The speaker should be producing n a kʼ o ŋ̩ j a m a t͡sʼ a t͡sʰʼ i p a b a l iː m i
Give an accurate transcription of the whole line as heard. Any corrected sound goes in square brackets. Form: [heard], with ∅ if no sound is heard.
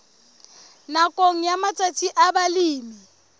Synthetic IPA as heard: n a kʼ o ŋ̩ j a m a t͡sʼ a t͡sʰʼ i [ʔ] a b a l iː m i

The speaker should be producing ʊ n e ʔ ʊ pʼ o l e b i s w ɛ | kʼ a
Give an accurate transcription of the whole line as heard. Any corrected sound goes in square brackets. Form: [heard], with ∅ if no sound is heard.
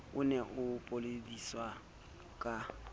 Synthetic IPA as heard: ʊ n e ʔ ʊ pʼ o l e [d] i s w [a] | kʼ a

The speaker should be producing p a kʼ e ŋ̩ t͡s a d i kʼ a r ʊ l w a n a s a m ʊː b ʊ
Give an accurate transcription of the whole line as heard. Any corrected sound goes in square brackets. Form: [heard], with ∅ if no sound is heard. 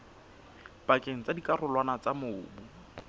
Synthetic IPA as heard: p a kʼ e ŋ̩ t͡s a d i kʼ a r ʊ l w a n a [t͡s] a m ʊː b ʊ

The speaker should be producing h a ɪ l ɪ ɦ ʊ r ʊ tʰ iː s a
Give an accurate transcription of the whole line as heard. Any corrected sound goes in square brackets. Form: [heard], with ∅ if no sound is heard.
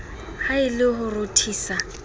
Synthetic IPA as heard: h a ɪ l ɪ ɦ ʊ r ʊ tʰ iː s a

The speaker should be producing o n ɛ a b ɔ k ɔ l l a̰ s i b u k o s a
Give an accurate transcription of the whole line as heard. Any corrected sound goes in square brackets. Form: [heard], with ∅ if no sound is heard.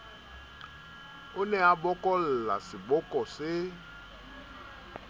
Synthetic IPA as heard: o n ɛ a b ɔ k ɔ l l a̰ s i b [ɔ] k [ɔ] s [e]

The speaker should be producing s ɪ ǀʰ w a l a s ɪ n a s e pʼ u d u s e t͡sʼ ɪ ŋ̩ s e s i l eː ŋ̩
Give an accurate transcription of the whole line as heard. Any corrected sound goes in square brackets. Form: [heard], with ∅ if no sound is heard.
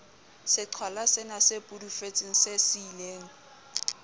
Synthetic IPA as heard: s ɪ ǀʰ w a l a s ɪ n a s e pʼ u d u [f] e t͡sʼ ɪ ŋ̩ s e s i l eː ŋ̩

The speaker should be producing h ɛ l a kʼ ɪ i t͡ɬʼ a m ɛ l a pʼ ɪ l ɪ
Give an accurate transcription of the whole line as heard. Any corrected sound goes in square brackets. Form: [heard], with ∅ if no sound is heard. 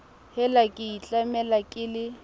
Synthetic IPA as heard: h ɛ l a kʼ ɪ i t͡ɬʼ a m ɛ l a [kʼ] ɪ l ɪ

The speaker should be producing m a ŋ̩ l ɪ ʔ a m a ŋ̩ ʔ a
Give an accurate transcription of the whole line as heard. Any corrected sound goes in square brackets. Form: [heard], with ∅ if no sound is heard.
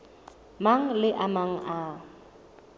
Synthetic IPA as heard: m a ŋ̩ l ɪ ʔ a m a ŋ̩ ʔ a

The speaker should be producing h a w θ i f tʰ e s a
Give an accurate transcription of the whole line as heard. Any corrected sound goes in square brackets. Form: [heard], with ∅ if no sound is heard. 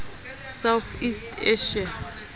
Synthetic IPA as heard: [s] a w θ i [s] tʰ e [ʃ] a

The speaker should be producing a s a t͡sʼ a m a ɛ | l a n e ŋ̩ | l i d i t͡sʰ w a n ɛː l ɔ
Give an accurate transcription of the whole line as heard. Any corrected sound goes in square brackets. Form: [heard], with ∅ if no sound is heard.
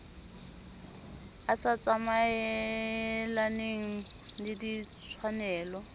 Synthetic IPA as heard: a s a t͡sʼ a m a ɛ | l a n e ŋ̩ | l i d i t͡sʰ w a n ɛː l ɔ

